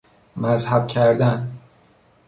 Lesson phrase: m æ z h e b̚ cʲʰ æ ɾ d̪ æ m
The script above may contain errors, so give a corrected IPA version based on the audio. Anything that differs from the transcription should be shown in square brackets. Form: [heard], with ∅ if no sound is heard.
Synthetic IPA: m æ z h [æ] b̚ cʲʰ æ ɾ d̪ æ [n]